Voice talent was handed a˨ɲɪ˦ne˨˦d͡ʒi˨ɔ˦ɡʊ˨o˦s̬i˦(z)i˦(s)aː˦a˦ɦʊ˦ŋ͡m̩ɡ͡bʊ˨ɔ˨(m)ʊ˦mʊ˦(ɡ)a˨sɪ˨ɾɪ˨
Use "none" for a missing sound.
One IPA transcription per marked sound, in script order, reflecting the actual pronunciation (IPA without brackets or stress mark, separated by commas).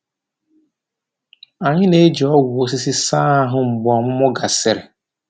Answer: s, s, m, ɡ